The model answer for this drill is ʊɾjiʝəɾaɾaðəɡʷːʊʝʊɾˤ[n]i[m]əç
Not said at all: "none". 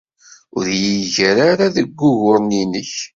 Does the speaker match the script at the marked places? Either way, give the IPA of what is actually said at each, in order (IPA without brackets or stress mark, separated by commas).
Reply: n, n